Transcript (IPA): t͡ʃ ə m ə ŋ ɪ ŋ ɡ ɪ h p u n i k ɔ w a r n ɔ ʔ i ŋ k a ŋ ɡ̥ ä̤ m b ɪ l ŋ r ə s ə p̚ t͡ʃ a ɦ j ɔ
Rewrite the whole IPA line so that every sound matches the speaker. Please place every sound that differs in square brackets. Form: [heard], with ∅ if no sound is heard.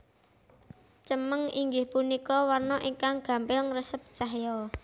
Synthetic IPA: t͡ʃ ə m ə ŋ [i] ŋ ɡ ɪ h p u n i k ɔ w a r n ɔ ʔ i ŋ k a ŋ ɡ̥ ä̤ m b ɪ l ŋ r ə s ə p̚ t͡ʃ a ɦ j ɔ